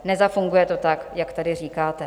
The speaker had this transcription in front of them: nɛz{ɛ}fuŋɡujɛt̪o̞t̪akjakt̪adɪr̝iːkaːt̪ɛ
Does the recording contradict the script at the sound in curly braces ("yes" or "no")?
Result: yes